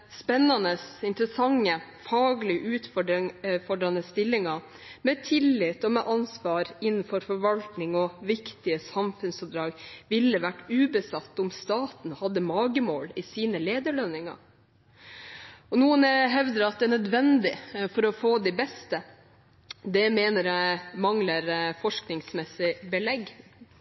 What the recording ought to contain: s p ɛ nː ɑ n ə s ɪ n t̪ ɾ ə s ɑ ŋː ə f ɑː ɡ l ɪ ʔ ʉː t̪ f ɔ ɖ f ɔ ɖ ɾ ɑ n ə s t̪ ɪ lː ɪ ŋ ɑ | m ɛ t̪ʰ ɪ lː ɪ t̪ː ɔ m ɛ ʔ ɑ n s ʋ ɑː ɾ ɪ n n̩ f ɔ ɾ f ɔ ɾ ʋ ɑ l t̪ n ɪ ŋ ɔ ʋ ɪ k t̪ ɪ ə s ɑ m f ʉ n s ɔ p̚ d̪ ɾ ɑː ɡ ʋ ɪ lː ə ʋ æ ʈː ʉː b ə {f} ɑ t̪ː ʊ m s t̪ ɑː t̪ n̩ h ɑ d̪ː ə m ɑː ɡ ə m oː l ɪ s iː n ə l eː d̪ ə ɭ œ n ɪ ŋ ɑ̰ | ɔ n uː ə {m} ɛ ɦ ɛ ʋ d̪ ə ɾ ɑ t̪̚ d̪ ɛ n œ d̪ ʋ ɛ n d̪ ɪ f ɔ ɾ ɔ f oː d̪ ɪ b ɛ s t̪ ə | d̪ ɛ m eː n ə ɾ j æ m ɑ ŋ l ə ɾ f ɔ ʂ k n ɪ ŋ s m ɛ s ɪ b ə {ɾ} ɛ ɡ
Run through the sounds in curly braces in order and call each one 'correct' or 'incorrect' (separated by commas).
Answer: incorrect, incorrect, incorrect